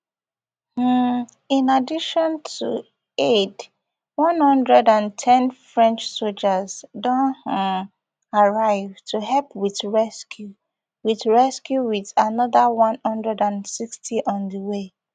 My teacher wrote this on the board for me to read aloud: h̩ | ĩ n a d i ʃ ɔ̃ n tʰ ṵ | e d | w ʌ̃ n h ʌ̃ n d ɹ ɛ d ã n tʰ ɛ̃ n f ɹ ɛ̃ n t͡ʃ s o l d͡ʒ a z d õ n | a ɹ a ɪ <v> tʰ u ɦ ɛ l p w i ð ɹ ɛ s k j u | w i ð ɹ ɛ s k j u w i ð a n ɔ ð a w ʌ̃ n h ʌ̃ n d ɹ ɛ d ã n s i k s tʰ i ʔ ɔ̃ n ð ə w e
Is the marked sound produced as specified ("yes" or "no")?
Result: yes